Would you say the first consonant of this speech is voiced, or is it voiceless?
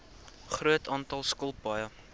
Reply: voiceless